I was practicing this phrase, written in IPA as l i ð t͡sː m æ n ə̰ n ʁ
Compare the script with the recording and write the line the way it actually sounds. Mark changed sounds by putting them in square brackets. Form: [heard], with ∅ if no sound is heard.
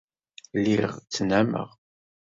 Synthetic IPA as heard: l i [ʁ] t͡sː [n] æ [m] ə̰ [∅] ʁ